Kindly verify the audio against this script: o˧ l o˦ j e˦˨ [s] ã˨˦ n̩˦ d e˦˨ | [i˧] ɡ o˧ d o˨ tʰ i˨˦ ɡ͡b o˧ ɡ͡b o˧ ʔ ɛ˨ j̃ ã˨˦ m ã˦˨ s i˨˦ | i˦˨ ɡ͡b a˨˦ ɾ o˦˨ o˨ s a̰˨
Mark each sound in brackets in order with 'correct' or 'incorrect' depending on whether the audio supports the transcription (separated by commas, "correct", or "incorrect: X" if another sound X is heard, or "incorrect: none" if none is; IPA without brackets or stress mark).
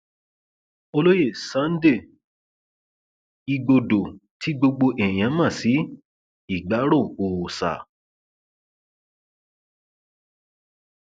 correct, correct